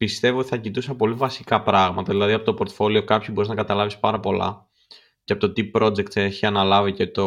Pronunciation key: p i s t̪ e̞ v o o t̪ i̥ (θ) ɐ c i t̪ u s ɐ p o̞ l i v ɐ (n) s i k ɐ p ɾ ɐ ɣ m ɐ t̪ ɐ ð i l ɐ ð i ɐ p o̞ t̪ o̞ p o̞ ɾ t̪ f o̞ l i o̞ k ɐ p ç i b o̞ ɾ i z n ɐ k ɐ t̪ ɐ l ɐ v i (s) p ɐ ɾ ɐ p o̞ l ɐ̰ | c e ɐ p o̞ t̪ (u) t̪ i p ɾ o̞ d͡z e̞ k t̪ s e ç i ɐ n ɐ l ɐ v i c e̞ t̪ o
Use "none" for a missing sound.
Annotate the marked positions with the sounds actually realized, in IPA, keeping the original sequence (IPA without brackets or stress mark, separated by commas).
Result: θ, none, s, o